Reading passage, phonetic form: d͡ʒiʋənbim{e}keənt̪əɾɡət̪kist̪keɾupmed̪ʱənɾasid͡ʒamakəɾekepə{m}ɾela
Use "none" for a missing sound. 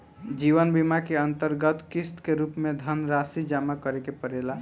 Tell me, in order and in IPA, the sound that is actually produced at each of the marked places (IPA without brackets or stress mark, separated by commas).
a, none